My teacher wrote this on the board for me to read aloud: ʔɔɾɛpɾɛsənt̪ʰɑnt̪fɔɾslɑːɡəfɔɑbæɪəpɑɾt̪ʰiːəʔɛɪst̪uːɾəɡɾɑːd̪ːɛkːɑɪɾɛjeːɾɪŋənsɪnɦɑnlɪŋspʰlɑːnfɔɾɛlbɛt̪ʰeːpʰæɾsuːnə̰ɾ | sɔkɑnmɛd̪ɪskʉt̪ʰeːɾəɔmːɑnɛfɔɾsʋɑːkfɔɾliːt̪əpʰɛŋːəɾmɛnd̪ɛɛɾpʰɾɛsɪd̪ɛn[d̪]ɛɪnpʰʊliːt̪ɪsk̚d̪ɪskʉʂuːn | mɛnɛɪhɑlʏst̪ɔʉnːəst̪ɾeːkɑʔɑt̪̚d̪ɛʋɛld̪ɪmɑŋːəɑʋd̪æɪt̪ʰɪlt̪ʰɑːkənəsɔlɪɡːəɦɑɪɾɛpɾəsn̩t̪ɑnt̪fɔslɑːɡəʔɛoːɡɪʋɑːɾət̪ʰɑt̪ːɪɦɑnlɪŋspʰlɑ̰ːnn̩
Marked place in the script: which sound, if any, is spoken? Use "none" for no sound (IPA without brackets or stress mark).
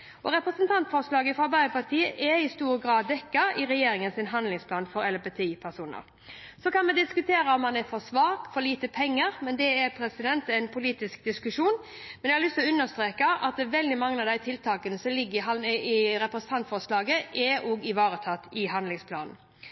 t̪